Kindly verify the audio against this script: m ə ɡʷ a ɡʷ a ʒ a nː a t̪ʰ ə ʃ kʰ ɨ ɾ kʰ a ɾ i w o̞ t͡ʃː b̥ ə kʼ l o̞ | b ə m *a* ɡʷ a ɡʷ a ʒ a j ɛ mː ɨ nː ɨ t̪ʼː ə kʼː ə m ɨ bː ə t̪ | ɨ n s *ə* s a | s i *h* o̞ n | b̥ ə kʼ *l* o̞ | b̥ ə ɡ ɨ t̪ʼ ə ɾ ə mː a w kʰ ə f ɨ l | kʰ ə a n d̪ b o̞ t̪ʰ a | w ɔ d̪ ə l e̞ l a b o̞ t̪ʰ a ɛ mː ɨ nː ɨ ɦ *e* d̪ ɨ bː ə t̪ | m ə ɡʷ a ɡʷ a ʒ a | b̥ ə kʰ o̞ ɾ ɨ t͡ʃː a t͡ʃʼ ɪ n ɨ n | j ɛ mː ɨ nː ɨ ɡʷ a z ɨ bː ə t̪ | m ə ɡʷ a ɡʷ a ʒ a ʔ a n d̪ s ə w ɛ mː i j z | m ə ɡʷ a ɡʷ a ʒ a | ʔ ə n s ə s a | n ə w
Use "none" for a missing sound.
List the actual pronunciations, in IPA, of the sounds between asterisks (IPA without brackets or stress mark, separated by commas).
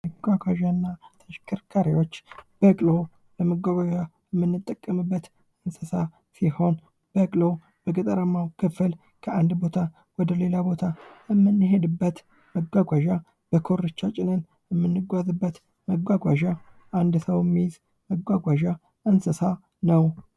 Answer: ə, ə, h, l, e